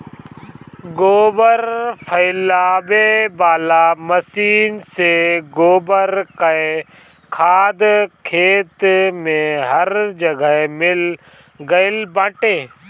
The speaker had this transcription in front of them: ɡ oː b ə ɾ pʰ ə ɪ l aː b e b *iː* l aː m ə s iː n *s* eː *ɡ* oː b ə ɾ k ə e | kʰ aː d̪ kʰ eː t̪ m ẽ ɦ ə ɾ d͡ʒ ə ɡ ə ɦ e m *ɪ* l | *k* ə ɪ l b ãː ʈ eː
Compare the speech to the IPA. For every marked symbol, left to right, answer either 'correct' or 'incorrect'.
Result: incorrect, correct, correct, correct, incorrect

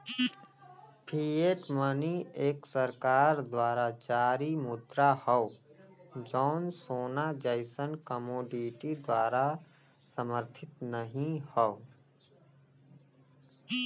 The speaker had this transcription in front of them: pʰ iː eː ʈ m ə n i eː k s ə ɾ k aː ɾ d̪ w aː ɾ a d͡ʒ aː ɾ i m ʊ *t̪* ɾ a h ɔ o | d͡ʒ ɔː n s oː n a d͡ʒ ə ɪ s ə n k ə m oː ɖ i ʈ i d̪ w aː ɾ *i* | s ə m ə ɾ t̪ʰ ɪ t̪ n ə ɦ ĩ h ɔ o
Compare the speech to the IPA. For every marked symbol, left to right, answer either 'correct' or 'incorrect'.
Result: incorrect, incorrect

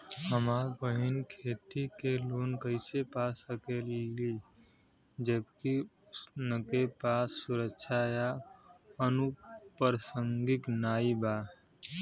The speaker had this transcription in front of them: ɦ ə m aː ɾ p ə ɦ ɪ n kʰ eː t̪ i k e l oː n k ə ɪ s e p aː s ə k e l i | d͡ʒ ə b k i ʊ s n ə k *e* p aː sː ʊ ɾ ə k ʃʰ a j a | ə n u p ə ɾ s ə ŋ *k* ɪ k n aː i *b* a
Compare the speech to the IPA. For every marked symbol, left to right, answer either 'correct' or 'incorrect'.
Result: correct, incorrect, correct

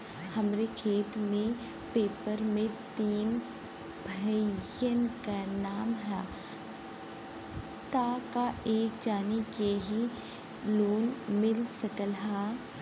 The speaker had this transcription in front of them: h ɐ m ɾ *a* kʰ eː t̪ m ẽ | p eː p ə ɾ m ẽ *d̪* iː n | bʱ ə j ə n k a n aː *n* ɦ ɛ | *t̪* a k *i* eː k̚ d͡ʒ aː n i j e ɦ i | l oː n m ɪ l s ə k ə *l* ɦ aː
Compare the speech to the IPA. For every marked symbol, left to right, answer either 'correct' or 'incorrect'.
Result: incorrect, incorrect, incorrect, correct, incorrect, correct

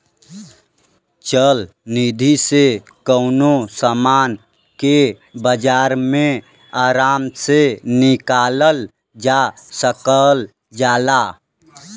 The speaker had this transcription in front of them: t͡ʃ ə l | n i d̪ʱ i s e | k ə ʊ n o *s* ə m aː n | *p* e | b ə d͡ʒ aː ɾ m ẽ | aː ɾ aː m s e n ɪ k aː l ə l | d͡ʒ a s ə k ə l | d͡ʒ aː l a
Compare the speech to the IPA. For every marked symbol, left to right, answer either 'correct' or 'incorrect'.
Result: correct, incorrect

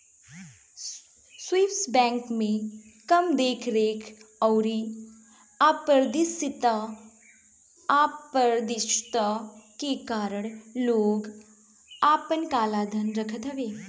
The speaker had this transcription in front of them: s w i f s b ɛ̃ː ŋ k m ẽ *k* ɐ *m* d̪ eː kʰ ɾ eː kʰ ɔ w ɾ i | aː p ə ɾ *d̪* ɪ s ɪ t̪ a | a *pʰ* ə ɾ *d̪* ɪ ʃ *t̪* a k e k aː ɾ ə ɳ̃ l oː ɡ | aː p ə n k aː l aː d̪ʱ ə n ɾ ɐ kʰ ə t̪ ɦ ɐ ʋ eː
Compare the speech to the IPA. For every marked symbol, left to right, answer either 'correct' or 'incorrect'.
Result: correct, correct, correct, incorrect, correct, correct

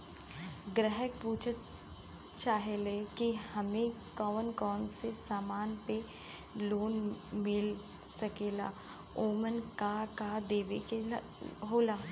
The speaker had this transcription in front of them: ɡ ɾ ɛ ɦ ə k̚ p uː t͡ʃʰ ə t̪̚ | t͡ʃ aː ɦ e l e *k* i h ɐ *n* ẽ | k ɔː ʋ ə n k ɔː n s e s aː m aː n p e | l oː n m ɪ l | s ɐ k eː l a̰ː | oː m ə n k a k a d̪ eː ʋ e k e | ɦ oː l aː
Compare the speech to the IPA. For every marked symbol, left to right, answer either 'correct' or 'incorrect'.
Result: correct, incorrect

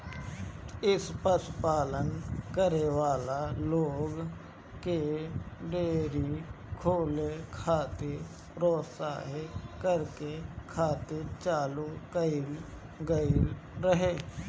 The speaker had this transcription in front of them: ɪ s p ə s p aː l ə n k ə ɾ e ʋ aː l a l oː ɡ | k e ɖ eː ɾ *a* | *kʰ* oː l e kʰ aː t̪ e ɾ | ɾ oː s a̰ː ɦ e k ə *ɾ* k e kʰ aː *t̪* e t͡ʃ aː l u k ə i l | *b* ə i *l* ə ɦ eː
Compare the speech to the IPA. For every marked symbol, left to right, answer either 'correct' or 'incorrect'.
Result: incorrect, correct, correct, correct, incorrect, incorrect

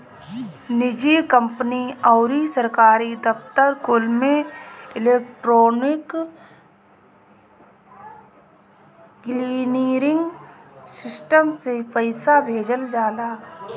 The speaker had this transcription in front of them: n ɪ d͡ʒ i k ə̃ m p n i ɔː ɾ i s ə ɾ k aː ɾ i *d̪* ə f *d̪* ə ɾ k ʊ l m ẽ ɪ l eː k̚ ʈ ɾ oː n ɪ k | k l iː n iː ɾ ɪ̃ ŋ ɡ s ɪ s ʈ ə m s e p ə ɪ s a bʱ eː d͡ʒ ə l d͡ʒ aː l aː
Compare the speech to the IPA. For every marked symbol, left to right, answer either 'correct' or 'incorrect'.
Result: correct, incorrect

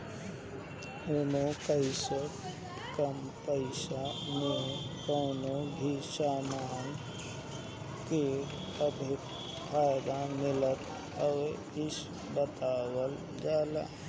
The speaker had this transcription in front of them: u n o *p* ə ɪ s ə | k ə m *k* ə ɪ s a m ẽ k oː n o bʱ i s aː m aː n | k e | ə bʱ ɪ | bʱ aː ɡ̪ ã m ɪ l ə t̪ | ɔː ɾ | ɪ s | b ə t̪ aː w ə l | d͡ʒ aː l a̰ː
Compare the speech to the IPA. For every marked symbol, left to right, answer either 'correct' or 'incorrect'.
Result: incorrect, incorrect

